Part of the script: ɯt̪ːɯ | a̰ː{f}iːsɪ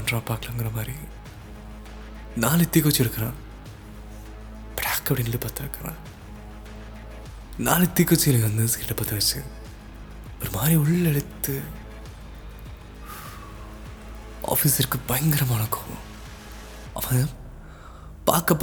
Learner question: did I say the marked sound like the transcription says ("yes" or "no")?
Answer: yes